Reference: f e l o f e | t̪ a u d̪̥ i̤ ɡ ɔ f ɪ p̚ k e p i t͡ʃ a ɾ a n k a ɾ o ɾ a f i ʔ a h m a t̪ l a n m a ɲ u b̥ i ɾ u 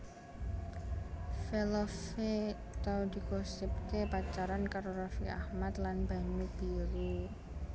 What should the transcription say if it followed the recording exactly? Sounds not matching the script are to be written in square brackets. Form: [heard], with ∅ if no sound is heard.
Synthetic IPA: f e l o f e | t̪ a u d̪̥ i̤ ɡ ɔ [s] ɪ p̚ k e p [a] t͡ʃ a ɾ a n k a ɾ o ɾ a f i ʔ a h m a t̪ l a n [b] a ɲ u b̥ i ɾ u